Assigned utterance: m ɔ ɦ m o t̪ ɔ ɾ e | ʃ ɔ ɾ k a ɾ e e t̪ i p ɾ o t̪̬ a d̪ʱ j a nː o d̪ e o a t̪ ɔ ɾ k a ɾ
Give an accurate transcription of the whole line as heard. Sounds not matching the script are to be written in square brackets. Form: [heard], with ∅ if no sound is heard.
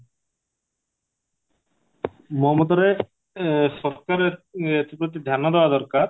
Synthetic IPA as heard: m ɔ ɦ m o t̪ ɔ ɾ e | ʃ ɔ ɾ k a ɾ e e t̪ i p ɾ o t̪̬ [i] d̪ʱ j a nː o d̪ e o a [d̪] ɔ ɾ k a ɾ

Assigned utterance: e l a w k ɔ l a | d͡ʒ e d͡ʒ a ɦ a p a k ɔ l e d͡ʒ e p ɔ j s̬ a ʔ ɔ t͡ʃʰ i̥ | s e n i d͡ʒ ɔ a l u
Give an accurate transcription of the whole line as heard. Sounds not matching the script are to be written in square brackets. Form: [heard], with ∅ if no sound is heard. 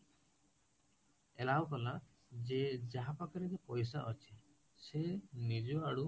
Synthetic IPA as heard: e l a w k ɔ l a | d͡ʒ e d͡ʒ a ɦ a p a k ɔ [ɾ] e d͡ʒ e p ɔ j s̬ a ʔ ɔ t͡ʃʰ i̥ | s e n i d͡ʒ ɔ a [ɽ] u

